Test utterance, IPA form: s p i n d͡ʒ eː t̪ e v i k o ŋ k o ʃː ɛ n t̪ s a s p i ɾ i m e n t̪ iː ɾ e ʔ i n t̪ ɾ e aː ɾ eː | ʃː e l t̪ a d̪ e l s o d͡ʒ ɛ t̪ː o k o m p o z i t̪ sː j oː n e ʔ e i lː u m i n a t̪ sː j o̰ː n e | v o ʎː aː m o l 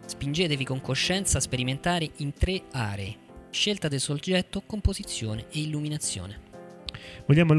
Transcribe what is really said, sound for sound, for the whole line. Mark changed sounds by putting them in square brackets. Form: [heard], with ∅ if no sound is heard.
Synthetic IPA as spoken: s p i n d͡ʒ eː t̪ e v i k o ŋ k o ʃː ɛ n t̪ s a s p [e] ɾ i m e n t̪ [aː] ɾ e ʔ i n t̪ ɾ e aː ɾ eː | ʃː e l t̪ a d̪ e l s o d͡ʒ ɛ t̪ː o k o m p o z i t̪ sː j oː n e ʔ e i lː u m i n a t̪ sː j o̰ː n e | v o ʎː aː m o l